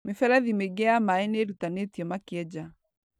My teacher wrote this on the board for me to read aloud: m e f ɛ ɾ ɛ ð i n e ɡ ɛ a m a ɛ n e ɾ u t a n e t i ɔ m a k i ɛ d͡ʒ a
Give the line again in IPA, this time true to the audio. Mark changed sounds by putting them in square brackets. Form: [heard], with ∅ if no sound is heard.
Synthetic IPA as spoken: m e f ɛ ɾ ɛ ð i [m] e ɡ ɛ a m a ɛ n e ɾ u t a n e t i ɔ m a k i ɛ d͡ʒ a